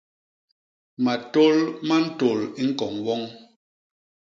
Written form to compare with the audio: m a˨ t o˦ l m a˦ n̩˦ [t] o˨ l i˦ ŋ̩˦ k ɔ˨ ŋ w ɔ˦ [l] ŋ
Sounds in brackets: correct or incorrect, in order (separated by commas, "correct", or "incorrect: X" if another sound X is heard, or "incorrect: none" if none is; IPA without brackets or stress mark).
correct, incorrect: none